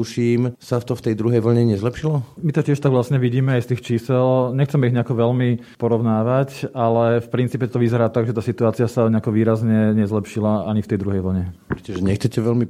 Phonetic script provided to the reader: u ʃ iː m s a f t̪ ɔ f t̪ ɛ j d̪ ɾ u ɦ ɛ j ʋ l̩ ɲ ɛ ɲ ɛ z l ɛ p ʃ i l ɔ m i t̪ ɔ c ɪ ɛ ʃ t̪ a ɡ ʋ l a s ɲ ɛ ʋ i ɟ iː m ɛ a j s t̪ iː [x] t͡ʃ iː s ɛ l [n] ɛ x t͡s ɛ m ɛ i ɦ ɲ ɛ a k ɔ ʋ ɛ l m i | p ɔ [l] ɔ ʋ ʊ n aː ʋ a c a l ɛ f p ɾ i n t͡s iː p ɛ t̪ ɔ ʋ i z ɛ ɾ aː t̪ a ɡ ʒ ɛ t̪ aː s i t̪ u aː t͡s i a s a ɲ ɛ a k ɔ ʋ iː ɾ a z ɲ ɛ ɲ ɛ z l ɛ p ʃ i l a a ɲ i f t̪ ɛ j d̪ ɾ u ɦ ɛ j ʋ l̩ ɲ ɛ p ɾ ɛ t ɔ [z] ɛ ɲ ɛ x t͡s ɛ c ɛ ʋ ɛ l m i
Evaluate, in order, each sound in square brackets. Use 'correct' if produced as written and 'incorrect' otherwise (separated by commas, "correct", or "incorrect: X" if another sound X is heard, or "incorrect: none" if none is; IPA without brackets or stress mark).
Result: correct, incorrect: ɲ, incorrect: ɾ, incorrect: ʒ